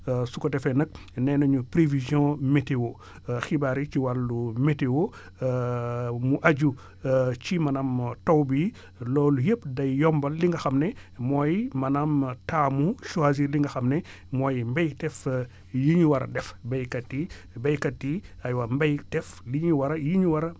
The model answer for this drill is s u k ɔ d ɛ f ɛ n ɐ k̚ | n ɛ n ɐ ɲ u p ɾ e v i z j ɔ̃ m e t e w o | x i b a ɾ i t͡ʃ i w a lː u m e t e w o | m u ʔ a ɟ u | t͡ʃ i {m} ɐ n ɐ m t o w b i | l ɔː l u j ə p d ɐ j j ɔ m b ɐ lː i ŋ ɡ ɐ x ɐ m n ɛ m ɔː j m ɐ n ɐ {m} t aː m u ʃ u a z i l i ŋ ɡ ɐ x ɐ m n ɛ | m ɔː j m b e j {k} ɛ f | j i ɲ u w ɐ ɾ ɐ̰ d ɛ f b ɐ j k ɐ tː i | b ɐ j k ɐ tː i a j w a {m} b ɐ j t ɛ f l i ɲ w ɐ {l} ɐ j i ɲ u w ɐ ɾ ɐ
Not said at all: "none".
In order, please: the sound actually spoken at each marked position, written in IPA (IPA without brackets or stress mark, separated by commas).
m, m, t, m, ɾ